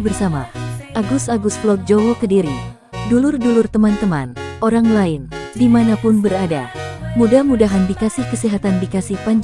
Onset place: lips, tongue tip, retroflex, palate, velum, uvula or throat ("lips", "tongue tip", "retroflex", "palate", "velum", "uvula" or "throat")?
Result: lips